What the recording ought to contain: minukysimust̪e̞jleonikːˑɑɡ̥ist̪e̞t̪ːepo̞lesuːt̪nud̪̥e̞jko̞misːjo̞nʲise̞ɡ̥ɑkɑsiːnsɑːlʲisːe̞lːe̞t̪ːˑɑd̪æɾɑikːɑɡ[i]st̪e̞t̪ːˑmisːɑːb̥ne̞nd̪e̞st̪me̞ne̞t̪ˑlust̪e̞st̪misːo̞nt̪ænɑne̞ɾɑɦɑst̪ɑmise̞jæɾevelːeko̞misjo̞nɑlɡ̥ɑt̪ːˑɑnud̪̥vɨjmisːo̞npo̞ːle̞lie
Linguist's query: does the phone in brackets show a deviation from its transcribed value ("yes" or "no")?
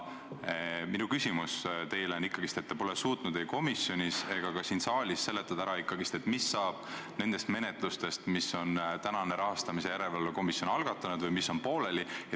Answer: no